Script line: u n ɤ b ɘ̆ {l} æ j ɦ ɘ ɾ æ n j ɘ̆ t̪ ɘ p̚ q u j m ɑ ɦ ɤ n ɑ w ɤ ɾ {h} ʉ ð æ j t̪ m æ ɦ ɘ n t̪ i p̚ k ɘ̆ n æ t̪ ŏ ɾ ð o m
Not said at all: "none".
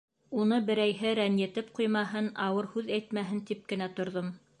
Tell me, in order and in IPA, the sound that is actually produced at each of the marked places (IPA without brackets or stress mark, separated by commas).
ɾ, h